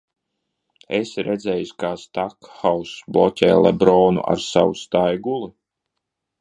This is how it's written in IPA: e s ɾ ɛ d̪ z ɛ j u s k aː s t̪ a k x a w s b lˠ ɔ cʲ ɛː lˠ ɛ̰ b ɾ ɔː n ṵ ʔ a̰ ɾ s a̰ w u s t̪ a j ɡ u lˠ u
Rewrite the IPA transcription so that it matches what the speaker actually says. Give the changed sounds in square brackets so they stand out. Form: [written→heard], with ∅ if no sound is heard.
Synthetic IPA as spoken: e s ɾ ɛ d̪ z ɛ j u s k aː s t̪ a k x a w s b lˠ ɔ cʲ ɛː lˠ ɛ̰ b ɾ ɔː n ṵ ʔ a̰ ɾ s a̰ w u s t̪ a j ɡ u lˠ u

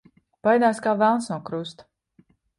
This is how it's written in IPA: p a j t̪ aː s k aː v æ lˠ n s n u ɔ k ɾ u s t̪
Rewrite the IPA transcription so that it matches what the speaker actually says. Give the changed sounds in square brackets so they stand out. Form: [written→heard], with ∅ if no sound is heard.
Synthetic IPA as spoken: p a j [t̪→d̪] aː s k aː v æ lˠ n s n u ɔ k ɾ u s t̪

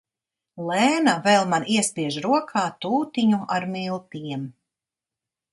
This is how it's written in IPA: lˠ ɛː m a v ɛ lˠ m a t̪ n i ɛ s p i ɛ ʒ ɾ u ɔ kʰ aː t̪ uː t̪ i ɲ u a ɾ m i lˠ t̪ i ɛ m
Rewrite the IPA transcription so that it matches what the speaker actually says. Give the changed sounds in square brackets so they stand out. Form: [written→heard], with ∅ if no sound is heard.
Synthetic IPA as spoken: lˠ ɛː [m→n] a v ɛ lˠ m a [t̪→∅] n i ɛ s p i ɛ ʒ ɾ u ɔ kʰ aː t̪ uː t̪ i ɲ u a ɾ m i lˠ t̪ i ɛ m

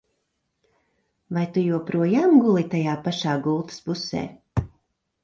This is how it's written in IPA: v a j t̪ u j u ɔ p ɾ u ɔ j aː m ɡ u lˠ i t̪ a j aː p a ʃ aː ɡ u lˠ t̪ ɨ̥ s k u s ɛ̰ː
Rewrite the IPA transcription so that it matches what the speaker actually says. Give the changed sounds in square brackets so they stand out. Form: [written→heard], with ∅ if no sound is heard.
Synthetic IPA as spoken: v a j t̪ u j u ɔ p ɾ u ɔ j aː m ɡ u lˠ i t̪ a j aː p a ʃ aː ɡ u lˠ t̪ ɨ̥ s [k→p] u s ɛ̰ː

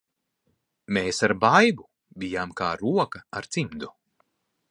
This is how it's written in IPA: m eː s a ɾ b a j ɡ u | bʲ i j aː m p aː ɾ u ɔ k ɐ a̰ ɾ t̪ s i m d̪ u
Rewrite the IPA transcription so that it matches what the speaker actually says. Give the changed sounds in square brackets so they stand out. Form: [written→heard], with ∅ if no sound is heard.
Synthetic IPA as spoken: m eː s a ɾ b a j [ɡ→b] u | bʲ i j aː m [p→k] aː ɾ u ɔ k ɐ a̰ ɾ t̪ s i m d̪ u

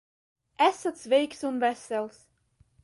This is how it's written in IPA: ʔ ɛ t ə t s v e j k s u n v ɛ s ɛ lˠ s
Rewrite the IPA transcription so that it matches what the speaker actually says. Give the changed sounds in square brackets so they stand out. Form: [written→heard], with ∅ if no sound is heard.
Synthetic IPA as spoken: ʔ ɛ [t→s] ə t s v e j k s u n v ɛ s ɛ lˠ s

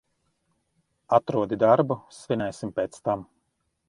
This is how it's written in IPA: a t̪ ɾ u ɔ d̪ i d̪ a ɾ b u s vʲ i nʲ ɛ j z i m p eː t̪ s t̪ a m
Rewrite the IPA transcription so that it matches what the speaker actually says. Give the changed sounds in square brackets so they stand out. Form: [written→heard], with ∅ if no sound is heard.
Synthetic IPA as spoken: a t̪ ɾ u ɔ d̪ i d̪ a ɾ b u s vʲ i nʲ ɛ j [z→s] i m p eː t̪ s t̪ a m

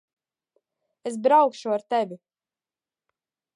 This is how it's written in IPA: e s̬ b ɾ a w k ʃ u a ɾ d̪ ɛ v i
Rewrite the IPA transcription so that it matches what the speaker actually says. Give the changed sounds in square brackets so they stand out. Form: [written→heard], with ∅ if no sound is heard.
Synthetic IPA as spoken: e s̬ b ɾ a w k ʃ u a ɾ [d̪→t̪] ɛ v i

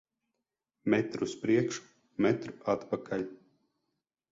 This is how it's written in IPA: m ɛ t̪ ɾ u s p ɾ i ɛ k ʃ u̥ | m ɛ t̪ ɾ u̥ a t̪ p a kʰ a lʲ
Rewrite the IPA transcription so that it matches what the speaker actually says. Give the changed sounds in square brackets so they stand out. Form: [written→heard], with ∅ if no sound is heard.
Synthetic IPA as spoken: m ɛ t̪ ɾ u s p ɾ i ɛ k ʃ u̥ | m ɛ t̪ ɾ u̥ a t̪ p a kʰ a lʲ

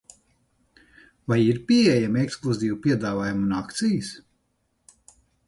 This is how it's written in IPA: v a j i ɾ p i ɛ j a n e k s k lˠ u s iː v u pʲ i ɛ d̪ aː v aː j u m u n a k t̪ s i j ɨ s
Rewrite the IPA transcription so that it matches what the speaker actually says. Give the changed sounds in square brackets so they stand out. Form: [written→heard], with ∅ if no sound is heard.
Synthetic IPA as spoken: v a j i ɾ p i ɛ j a [n→m] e k s k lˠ u [s→z] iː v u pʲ i ɛ d̪ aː v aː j u m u n a k t̪ s i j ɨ s

